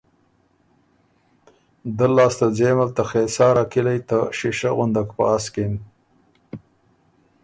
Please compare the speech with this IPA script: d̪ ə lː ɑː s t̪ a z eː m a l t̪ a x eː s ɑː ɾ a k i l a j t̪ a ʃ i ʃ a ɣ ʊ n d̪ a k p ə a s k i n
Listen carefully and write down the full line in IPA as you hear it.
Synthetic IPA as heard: d̪ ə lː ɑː s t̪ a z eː m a l t̪ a x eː s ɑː ɾ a k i l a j t̪ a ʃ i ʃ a ɣ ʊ n d̪ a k p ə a s k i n